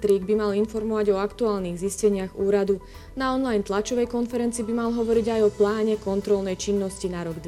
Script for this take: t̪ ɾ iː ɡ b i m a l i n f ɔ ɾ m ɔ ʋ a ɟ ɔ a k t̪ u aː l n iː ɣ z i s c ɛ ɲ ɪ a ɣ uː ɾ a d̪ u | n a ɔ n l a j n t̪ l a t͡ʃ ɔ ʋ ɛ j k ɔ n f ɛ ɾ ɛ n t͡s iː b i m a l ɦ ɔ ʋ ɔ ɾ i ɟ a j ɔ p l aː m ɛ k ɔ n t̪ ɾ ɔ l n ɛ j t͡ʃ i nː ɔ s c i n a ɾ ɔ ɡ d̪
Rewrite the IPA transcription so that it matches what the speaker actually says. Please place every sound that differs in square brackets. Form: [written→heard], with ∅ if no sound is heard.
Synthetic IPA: t̪ ɾ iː ɡ b i m a l i n f ɔ ɾ m ɔ ʋ a ɟ ɔ a k t̪ u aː l n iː ɣ z i s c ɛ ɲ ɪ a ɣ uː ɾ a d̪ u | n a ɔ n l a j n t̪ l a t͡ʃ ɔ ʋ ɛ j k ɔ n f ɛ ɾ ɛ n t͡s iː b i m a l ɦ ɔ ʋ ɔ ɾ i ɟ a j ɔ p l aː [m→ɲ] ɛ k ɔ n t̪ ɾ ɔ l n ɛ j t͡ʃ i nː ɔ s c i n a ɾ ɔ ɡ d̪